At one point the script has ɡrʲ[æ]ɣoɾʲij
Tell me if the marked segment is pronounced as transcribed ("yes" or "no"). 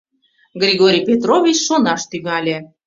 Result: no